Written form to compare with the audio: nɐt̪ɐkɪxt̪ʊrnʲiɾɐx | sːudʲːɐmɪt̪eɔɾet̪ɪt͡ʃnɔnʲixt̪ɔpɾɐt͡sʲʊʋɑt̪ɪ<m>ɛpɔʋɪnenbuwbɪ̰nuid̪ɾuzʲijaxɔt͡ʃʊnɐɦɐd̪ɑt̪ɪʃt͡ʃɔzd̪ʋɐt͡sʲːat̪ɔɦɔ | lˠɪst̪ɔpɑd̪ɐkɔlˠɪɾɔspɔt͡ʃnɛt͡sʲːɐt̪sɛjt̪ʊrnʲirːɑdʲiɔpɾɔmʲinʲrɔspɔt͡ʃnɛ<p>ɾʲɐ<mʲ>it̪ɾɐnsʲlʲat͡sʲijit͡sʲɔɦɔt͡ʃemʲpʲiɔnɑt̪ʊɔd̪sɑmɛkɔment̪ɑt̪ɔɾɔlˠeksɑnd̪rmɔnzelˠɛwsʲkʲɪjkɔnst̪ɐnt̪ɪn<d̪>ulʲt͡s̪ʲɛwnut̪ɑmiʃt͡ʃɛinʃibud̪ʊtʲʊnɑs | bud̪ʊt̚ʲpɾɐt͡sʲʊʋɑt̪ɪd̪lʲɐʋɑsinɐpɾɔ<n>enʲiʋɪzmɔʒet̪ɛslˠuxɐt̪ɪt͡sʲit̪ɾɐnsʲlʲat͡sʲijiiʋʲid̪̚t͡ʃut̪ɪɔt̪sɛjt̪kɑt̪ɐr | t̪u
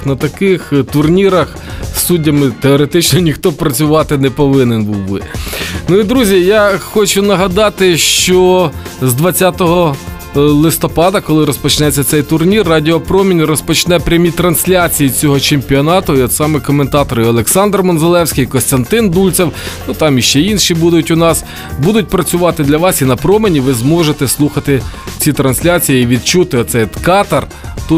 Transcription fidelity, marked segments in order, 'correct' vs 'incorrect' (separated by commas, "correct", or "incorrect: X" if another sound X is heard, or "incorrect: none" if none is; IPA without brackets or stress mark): incorrect: n, correct, correct, correct, incorrect: m